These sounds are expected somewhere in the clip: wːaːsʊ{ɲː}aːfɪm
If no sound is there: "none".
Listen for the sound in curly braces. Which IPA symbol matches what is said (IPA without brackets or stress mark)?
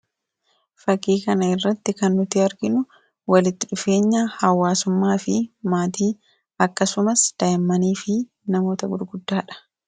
mː